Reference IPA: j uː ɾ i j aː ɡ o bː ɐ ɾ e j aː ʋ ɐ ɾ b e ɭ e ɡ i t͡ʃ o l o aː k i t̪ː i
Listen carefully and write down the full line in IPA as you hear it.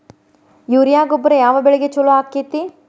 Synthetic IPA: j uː ɾ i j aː ɡ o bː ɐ ɾ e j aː ʋ ɐ b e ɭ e ɡ e t͡ʃ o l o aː k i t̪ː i

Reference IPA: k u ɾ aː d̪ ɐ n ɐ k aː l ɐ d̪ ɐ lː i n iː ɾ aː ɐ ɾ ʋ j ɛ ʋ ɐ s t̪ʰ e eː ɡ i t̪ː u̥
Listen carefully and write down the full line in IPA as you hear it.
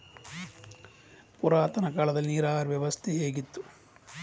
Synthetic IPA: p u ɾ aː t̪ ɐ n ɐ k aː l ɐ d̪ ɐ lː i n iː ɾ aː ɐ ɾ ʋ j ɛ ʋ ɐ s t̪ʰ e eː ɡ i t̪ː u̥

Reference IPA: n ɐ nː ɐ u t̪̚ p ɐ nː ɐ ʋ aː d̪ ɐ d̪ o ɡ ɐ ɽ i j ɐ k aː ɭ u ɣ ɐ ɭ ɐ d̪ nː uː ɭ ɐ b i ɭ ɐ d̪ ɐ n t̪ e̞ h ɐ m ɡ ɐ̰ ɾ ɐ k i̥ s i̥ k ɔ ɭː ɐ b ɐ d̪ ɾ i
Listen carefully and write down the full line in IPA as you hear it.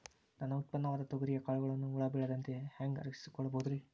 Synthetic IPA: n ɐ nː ɐ u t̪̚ p ɐ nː ɐ ʋ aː d̪ ɐ t̪ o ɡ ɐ ɾ i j ɐ k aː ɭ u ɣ ɐ ɭ ɐ nː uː ɭ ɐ b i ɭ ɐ d̪ ɐ n t̪ e̞ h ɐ ŋ ɡ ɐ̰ ɾ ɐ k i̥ s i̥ k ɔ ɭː ɐ b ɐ d̪ ɾ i

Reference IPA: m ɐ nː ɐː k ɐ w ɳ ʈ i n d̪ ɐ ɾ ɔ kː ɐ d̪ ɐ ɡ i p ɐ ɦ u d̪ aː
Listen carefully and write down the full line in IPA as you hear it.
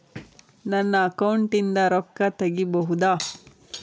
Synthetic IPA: n ɐ nː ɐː k ɐ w ɳ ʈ i n d̪ ɐ ɾ ɔ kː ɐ t̪ ɐ ɡ i b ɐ ɦ u d̪ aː

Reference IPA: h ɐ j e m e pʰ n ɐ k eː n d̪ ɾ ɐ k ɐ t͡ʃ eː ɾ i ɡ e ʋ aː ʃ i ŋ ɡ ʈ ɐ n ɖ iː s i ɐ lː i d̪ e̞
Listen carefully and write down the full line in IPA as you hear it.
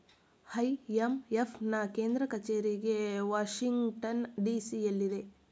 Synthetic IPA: h ɐ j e m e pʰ n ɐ k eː n d̪ ɾ ɐ k ɐ t͡ʃ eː ɾ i ɡ e ʋ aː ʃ i ŋ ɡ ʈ ɐ n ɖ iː s i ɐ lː i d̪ e̞

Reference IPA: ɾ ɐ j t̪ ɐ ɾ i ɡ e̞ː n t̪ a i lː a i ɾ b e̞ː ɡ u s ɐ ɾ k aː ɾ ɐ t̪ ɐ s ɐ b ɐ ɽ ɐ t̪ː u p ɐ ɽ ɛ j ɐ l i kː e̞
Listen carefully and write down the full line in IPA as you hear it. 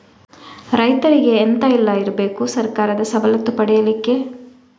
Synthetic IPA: ɾ ɐ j t̪ ɐ ɾ i ɡ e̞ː n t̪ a i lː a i ɾ b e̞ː k u s ɐ ɾ k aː ɾ ɐ d̪ ɐ s ɐ b ɐ l ɐ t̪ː u p ɐ ɽ ɛ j ɐ l i kː e̞

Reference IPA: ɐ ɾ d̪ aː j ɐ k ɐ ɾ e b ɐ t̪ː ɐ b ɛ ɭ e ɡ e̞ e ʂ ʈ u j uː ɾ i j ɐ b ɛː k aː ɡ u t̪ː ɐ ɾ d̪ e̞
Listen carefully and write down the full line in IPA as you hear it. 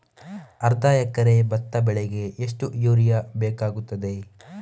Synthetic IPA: ɐ ɾ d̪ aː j ɐ k ɐ ɾ e b ɐ t̪ː ɐ b ɛ ɭ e ɡ e̞ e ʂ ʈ u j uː ɾ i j ɐ b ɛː k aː ɡ u t̪ː ɐ d̪ e̞

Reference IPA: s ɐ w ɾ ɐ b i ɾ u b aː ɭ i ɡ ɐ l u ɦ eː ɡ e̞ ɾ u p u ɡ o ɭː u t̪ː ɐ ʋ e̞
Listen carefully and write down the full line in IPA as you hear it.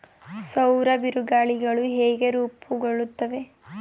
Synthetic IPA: s ɐ w ɾ ɐ b i ɾ u ɡ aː ɭ i ɡ ɐ ɭ u ɦ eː ɡ e̞ ɾ uː p u ɡ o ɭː u t̪ː ɐ ʋ e̞

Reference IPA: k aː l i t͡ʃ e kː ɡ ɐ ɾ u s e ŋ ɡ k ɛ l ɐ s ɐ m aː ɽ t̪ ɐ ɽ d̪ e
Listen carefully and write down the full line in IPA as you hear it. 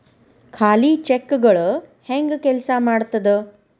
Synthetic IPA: kʰ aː l i t͡ʃ e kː ɡ ɐ ɭ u h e ŋ ɡ k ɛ l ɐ s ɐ m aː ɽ t̪ ɐ d̪ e

